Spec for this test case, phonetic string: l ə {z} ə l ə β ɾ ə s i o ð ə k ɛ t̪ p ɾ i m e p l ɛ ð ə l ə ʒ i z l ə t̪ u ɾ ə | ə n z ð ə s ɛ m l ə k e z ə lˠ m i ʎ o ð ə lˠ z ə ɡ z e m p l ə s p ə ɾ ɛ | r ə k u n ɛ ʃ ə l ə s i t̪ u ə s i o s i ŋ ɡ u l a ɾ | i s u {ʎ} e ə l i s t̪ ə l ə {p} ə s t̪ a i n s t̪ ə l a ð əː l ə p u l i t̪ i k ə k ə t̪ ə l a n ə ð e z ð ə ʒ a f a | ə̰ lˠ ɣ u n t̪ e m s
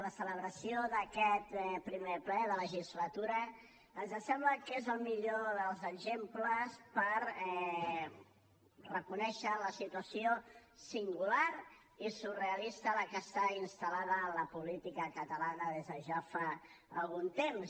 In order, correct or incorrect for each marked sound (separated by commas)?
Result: incorrect, incorrect, incorrect